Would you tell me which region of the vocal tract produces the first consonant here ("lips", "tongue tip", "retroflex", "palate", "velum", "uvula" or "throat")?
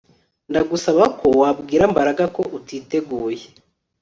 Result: tongue tip